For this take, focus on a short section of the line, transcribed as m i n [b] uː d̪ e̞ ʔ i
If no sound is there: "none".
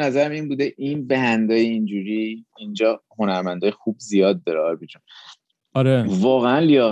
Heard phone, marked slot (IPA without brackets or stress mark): b